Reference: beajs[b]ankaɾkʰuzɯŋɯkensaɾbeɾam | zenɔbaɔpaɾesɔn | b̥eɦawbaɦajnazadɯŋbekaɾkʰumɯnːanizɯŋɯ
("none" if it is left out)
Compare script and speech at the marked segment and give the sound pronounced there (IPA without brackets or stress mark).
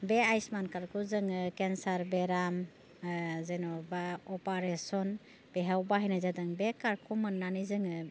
m